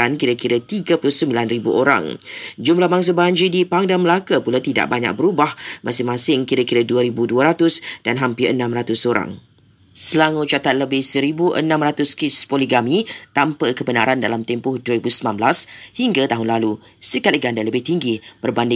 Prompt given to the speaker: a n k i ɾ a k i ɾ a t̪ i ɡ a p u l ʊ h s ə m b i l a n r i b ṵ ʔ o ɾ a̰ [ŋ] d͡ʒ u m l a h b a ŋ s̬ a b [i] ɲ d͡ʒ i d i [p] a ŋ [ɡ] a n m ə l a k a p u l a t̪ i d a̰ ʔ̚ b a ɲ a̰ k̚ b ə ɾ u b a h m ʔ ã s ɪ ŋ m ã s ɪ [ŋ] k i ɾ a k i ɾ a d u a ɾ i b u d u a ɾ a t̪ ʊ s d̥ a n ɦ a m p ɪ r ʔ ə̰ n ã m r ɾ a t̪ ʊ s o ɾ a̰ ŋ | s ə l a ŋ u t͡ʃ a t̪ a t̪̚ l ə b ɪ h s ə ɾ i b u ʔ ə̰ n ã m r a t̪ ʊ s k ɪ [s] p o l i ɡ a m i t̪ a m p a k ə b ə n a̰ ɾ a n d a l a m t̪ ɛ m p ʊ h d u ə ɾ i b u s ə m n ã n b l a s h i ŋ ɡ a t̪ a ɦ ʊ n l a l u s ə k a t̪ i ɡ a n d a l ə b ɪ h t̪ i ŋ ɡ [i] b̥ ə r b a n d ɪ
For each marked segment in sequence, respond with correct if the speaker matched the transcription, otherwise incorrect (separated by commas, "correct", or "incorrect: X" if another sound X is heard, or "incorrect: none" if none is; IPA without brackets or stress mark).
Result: correct, incorrect: a, correct, incorrect: d, correct, correct, correct